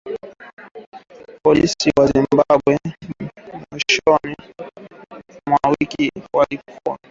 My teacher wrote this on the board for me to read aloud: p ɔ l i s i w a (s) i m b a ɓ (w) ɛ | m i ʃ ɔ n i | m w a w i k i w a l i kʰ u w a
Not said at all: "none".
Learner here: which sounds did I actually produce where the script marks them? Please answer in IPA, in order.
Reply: z, w

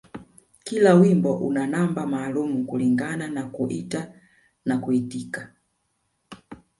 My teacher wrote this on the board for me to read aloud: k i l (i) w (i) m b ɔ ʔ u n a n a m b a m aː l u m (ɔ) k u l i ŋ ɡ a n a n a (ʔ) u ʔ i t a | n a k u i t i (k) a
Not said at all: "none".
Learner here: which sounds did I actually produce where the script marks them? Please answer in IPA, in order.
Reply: a, i, u, k, k

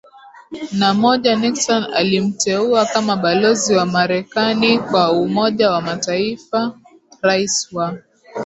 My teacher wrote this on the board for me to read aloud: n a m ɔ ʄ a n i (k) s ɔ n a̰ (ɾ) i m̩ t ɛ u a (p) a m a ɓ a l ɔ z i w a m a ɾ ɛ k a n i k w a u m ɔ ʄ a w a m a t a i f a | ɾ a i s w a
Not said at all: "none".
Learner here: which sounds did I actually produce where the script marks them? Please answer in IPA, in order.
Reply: k, l, k

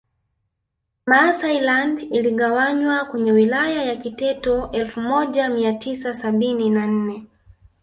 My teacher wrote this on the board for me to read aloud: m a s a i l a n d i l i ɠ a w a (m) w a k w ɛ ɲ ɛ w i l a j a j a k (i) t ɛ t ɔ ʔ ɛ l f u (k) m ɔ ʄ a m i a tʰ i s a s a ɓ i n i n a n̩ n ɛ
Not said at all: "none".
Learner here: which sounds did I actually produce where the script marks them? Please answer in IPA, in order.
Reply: ɲ, i, none

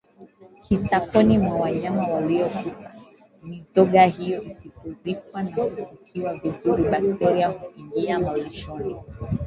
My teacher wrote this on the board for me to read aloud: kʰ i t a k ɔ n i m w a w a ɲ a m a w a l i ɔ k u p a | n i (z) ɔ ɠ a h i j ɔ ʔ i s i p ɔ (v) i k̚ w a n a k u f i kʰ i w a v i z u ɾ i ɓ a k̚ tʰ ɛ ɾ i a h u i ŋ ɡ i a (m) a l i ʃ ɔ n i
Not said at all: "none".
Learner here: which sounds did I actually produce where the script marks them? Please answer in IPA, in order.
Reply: z, z, m

